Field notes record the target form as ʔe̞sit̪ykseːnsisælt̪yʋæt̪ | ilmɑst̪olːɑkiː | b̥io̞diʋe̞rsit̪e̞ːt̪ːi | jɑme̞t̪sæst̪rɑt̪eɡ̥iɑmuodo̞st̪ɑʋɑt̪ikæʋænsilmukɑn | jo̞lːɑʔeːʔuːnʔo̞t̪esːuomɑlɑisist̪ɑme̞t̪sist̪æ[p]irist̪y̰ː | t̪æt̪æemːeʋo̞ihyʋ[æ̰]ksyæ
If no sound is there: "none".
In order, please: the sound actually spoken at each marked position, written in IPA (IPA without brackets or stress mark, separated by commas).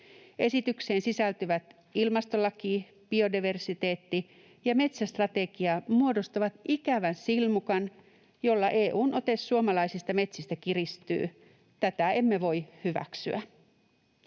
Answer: k, æ̰